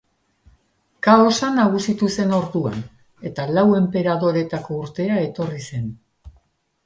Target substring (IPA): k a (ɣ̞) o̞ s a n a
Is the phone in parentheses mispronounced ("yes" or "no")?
yes